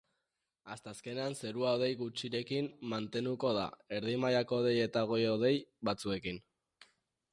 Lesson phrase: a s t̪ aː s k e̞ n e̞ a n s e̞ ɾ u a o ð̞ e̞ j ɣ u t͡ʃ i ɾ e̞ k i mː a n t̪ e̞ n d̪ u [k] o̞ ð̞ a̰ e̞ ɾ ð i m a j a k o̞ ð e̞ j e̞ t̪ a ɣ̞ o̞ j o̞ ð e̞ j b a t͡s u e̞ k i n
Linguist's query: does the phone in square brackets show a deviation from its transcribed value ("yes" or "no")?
no